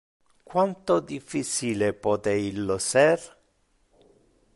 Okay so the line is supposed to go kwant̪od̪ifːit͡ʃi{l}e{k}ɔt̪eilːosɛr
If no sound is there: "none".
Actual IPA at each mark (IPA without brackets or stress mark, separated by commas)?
l, p